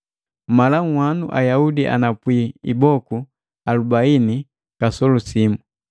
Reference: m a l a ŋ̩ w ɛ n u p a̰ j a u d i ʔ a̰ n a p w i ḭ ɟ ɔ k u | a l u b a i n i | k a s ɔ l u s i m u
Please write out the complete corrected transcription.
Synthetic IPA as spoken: m a l a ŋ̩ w a n u ʔ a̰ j a u d i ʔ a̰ n a p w i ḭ b ɔ k u | a l u b a i n i | k a s ɔ l u s i m u